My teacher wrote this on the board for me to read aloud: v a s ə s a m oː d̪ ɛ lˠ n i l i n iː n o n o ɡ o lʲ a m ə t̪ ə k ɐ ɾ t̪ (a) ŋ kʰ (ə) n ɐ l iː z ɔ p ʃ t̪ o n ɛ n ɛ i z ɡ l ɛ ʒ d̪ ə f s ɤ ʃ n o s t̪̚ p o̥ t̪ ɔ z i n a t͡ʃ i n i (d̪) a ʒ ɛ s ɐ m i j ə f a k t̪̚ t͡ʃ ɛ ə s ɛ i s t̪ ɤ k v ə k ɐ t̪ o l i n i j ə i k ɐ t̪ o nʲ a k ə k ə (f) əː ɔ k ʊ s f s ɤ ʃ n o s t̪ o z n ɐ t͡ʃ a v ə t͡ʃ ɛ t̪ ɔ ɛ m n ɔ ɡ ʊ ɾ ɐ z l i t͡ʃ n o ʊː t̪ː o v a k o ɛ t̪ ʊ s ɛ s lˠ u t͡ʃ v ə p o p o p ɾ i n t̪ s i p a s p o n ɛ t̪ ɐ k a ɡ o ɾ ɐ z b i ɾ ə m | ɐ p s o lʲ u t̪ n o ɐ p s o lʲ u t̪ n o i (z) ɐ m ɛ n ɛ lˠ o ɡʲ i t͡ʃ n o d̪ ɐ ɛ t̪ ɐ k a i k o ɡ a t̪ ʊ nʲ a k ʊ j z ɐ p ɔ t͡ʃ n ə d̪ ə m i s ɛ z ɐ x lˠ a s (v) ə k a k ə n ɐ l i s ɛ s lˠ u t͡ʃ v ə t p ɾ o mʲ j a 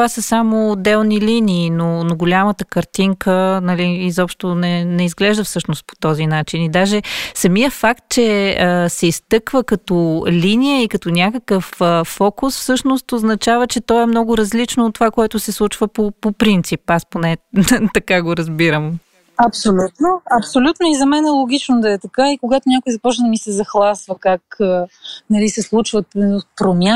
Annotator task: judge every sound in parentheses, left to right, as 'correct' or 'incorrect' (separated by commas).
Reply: incorrect, correct, correct, correct, correct, correct